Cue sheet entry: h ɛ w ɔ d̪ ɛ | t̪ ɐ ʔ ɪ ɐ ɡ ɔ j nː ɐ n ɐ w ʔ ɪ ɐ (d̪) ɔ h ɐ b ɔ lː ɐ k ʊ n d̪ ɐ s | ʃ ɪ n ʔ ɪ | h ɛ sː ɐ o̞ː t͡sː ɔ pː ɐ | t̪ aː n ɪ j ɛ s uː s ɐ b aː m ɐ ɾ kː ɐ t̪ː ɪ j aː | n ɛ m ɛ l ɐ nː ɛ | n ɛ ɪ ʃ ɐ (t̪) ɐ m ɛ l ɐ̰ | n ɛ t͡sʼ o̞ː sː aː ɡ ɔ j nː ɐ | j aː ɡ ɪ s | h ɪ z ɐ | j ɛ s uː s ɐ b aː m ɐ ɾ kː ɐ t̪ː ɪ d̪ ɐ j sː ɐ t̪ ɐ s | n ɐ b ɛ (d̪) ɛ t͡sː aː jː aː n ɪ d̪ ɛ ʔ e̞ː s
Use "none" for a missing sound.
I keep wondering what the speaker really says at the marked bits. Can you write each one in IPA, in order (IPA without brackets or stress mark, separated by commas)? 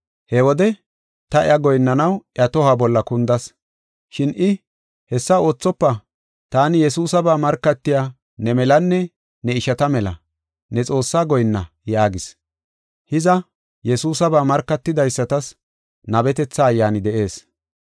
t̪, t̪, t̪